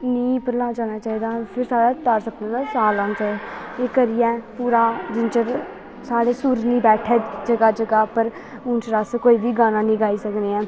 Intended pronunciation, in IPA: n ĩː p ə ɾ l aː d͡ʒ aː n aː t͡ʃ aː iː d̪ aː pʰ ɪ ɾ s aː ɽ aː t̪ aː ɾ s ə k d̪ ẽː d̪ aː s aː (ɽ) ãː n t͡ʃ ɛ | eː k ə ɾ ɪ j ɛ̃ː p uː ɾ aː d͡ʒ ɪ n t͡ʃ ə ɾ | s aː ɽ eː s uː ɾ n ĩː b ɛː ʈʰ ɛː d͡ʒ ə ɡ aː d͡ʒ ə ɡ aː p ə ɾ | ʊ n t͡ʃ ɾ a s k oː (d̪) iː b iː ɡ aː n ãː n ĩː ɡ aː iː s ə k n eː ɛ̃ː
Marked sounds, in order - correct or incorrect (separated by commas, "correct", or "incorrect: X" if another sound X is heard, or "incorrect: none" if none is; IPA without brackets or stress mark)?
incorrect: l, incorrect: none